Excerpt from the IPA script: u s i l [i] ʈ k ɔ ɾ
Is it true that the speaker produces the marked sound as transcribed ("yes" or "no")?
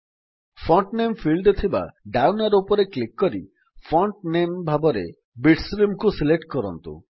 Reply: no